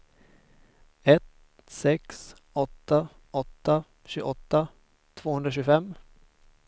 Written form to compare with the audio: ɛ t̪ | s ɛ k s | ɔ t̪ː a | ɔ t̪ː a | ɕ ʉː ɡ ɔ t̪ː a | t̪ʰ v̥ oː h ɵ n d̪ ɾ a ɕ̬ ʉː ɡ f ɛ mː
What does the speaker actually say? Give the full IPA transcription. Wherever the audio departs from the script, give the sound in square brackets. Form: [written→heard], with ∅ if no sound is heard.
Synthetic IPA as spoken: ɛ t̪ | s ɛ k s | ɔ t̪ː a | ɔ t̪ː a | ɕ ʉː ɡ ɔ t̪ː a | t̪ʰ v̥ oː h ɵ n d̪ ɾ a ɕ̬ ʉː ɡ f ɛ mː